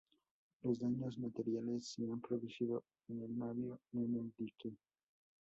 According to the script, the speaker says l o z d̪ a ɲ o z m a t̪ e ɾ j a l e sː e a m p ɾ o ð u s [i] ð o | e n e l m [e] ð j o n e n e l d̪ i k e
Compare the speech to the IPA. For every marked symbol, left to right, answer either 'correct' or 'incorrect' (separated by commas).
correct, incorrect